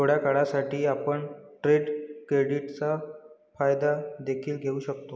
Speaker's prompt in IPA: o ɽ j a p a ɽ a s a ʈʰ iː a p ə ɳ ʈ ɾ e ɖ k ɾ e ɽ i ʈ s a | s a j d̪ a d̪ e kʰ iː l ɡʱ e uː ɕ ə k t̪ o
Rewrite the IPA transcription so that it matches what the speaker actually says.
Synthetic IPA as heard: o ɽ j a k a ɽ a s a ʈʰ iː a p ə ɳ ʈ ɾ e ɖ k ɾ e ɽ i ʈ t͡s a | f a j d̪ a d̪ e kʰ iː l ɡʱ e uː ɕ ə k t̪ o